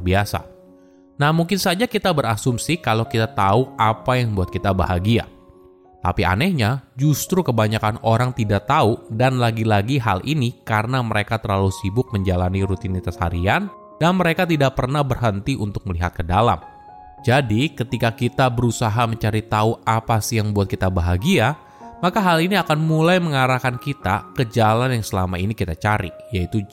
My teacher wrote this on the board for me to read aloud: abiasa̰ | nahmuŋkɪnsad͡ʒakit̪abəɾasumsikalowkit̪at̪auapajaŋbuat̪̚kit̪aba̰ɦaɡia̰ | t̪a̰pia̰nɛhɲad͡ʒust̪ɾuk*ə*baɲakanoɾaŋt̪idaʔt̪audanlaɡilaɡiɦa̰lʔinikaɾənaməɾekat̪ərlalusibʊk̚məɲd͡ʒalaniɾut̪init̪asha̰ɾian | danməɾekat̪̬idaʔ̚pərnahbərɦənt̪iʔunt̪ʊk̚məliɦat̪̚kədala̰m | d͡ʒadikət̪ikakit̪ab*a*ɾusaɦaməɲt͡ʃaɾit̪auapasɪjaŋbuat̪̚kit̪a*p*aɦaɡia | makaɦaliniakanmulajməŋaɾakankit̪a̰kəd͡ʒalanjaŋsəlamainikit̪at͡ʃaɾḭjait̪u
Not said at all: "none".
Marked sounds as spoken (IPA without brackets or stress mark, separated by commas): ə, ə, b